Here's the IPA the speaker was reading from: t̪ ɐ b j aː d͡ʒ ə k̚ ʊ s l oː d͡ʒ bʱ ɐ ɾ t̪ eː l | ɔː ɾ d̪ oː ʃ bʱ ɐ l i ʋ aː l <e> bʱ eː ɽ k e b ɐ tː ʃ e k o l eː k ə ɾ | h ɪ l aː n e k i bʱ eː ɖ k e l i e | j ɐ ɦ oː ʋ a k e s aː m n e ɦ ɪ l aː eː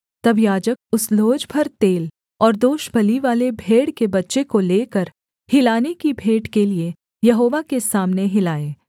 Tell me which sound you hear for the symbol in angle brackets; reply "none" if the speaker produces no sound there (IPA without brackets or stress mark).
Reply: e